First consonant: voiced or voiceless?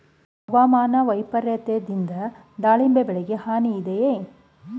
voiced